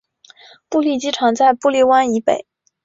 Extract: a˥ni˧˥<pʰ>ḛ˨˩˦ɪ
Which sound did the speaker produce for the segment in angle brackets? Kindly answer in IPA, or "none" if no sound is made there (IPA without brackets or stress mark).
p